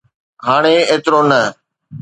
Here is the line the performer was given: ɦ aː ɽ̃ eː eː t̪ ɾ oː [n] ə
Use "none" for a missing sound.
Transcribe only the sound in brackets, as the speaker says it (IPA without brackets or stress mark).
n